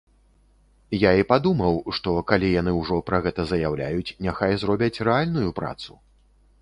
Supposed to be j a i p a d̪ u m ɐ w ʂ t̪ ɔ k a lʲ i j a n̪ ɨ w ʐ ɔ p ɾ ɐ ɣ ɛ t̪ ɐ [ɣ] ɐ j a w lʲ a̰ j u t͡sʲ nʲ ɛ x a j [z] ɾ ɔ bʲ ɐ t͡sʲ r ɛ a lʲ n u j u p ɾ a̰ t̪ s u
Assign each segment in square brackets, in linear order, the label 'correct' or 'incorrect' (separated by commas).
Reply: incorrect, correct